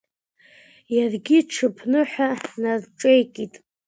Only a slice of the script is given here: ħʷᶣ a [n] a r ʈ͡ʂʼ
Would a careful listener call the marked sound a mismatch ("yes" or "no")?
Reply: no